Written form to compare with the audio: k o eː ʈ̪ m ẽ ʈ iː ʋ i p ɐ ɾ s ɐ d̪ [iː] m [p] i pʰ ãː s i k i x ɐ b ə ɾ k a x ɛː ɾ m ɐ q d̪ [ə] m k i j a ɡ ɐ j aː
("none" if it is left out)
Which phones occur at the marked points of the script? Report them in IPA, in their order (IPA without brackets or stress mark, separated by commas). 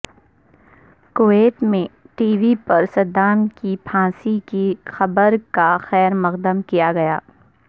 aː, k, ə